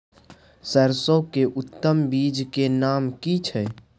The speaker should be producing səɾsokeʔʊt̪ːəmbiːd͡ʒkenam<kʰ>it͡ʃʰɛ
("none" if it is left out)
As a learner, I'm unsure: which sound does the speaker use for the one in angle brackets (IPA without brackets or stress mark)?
k